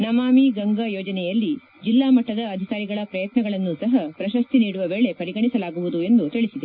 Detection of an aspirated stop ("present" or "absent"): absent